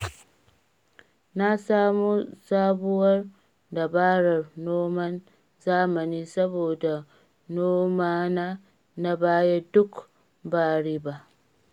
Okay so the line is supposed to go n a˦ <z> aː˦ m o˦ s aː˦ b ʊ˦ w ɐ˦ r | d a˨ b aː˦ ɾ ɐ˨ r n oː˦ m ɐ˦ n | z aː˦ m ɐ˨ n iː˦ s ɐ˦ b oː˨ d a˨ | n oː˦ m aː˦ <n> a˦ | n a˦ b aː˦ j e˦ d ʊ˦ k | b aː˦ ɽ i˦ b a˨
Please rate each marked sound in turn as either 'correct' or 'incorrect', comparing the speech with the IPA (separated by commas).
incorrect, correct